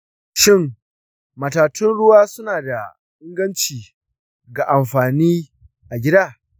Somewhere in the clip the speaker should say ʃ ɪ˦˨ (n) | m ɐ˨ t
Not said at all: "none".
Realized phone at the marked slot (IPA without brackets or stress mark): ŋ